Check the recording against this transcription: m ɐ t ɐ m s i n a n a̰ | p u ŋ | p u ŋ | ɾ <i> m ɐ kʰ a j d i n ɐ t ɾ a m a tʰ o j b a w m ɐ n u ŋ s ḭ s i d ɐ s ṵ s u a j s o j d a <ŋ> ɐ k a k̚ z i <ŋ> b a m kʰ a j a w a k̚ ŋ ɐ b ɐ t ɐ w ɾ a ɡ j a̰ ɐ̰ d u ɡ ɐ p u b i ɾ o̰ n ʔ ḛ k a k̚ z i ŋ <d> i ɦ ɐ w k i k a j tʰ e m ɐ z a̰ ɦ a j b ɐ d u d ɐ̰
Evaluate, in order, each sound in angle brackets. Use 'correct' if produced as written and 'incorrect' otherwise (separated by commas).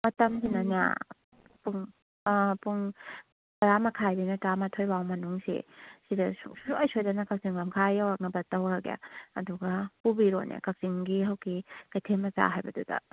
incorrect, incorrect, correct, incorrect